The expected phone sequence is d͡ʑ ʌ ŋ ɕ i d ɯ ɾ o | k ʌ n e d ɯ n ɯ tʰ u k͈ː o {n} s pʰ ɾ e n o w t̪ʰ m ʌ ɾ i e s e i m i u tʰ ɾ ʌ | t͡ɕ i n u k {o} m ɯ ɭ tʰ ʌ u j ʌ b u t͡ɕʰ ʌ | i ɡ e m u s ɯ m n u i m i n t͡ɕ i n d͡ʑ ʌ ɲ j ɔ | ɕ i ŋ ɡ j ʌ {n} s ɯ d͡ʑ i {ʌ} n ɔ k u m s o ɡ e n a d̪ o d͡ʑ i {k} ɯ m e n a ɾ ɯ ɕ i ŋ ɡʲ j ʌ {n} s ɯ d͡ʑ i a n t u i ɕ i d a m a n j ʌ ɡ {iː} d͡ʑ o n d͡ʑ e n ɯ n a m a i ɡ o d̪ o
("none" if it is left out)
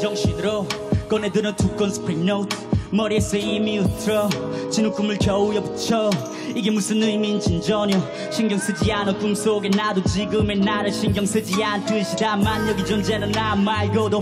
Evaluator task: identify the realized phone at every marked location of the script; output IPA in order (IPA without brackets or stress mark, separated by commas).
n, u, ŋ, a, ɡ, ŋ, i